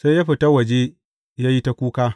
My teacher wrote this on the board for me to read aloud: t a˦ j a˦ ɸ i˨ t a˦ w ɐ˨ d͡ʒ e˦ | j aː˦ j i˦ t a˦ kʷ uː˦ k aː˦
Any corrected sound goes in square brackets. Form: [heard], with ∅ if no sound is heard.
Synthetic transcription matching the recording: [s] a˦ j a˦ ɸ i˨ t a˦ w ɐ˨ d͡ʒ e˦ | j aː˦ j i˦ t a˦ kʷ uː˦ k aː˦

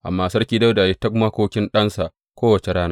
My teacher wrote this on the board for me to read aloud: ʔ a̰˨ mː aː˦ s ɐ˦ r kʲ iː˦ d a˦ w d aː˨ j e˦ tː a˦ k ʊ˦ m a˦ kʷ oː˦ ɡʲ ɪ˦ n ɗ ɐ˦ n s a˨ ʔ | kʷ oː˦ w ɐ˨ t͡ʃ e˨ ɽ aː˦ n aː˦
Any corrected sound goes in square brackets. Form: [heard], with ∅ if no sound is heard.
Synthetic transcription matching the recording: ʔ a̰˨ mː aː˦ s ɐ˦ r kʲ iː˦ d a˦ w d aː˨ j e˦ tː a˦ k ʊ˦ m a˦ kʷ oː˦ [kʲ] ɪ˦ n ɗ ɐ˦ n s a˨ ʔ | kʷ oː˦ w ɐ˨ t͡ʃ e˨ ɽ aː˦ n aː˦

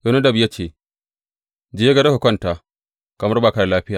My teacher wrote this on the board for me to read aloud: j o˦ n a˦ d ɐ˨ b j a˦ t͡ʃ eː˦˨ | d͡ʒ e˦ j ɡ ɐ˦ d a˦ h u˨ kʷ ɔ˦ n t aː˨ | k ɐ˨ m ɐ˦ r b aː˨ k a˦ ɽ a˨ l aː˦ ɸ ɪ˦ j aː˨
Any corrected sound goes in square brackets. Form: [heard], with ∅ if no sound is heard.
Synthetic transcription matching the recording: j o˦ n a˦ d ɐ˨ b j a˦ t͡ʃ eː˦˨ | d͡ʒ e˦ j ɡ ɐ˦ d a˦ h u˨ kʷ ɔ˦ n t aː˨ | k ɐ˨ m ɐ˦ r b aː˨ k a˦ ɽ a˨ l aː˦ ɸ ɪ˦ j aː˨

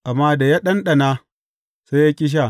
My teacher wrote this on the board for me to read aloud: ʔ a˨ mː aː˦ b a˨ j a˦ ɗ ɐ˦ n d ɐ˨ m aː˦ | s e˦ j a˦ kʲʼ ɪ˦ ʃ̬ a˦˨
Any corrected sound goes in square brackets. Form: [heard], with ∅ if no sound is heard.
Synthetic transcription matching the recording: ʔ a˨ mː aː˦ [d] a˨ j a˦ ɗ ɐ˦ n [ɗ] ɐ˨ [n] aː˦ | s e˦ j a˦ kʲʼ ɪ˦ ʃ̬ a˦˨

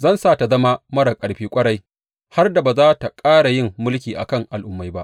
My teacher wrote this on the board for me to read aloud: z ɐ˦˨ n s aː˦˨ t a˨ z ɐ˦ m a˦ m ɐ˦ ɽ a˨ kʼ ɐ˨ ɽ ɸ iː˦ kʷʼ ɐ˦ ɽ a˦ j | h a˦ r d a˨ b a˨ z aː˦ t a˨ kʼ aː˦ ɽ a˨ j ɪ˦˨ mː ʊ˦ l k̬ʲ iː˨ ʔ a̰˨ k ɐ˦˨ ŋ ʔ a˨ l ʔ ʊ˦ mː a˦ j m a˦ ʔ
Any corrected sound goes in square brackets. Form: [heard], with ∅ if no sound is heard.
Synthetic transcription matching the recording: z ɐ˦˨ n s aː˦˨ t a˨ z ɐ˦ m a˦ m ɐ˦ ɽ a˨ kʼ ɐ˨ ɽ ɸ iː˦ kʷʼ ɐ˦ ɽ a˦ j | h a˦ r d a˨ b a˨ z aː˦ t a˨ kʼ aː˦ ɽ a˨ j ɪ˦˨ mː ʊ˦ l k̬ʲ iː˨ ʔ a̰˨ k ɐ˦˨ ŋ ʔ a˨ l ʔ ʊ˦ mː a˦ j [b] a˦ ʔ

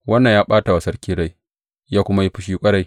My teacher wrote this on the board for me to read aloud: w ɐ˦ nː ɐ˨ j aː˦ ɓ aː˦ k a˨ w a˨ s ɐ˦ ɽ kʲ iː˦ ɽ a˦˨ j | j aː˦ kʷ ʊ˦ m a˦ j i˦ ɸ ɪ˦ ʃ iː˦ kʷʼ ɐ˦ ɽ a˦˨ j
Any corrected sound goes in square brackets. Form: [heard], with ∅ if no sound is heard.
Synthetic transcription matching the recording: w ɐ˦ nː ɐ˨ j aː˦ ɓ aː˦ [t] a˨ w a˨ s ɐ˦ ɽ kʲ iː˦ ɽ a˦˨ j | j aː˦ kʷ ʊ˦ m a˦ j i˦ ɸ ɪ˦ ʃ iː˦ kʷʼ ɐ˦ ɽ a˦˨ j

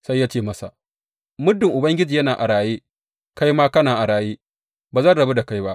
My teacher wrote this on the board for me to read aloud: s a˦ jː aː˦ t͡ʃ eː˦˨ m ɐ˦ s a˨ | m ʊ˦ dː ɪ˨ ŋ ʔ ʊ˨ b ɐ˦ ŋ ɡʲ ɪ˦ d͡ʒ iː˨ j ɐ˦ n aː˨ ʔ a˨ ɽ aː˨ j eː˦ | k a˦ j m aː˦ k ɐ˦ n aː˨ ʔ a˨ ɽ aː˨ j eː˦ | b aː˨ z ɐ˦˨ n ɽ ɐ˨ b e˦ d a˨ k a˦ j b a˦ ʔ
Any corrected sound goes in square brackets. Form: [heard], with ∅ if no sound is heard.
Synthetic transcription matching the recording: s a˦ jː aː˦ t͡ʃ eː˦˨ m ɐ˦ s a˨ | m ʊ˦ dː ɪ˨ ŋ ʔ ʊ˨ b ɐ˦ ŋ ɡʲ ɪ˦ d͡ʒ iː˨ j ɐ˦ n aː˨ ʔ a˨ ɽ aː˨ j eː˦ | k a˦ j m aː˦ k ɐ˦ n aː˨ ʔ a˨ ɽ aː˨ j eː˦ | b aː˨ z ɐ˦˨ n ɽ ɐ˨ b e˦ d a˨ k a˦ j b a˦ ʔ

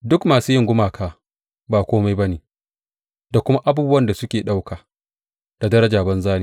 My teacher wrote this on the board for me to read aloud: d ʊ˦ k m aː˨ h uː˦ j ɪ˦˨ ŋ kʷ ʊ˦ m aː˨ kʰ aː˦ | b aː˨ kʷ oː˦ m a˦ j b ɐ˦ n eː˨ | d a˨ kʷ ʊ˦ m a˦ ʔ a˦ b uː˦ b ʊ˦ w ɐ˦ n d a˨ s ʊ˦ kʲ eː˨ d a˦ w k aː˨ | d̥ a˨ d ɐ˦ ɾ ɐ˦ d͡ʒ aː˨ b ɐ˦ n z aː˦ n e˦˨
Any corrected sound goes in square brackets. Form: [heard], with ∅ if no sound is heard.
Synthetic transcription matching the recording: d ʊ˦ k m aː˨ [s] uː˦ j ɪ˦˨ ŋ [ɡʷ] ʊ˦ m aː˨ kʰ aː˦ | b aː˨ kʷ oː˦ m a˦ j b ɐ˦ n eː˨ | d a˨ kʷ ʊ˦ m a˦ ʔ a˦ b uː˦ b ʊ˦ w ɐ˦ n d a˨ s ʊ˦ kʲ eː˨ [ɗ] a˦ w k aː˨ | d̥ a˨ d ɐ˦ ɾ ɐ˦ d͡ʒ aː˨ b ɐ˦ n z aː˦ n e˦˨

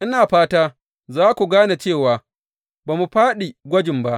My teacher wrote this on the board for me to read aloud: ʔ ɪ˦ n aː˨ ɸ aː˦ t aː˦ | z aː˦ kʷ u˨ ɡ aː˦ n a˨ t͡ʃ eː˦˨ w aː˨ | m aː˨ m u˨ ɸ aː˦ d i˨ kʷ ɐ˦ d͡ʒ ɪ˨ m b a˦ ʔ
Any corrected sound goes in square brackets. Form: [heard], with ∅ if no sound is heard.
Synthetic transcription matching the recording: ʔ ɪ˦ n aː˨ ɸ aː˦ t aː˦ | z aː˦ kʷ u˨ ɡ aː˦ n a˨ t͡ʃ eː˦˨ w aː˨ | [b] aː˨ m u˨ ɸ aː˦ [ɗ] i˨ [ɡʷ] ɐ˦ d͡ʒ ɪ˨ m b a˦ ʔ

